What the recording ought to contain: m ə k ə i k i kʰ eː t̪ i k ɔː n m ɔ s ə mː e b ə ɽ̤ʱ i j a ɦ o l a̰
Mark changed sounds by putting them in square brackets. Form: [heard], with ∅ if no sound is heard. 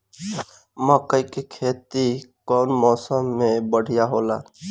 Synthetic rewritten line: m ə k ə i k [e] kʰ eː t̪ i k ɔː n m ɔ s ə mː e b ə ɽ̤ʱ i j a ɦ o l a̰